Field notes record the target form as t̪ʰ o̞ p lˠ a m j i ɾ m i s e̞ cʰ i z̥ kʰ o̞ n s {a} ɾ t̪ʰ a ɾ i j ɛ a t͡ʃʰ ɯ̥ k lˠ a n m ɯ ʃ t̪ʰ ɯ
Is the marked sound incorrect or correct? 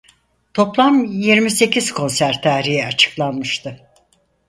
incorrect